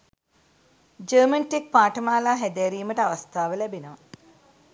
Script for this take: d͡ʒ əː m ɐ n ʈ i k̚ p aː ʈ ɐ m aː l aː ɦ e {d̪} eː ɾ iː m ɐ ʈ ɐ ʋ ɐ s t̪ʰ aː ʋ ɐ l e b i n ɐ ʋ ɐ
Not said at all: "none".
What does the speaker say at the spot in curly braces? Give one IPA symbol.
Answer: d̪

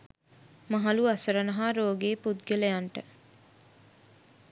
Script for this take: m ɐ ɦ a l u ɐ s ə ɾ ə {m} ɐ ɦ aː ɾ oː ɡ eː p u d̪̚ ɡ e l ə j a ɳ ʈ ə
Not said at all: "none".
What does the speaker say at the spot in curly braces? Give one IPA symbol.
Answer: n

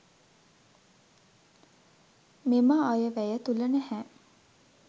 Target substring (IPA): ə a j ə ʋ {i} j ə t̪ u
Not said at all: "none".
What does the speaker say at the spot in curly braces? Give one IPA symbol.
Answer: æ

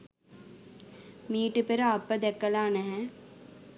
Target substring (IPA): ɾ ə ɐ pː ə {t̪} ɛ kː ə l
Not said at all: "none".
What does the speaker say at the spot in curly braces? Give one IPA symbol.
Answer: d̪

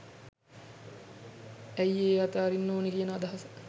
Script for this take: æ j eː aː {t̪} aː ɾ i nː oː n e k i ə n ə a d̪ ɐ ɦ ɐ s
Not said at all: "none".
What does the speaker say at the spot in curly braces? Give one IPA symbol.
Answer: t̪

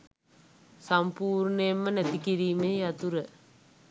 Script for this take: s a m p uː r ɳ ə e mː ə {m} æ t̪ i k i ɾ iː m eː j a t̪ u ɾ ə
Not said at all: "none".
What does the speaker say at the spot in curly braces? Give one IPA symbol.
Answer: n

